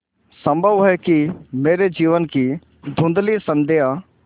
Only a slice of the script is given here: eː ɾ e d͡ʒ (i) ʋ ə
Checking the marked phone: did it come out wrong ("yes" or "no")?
yes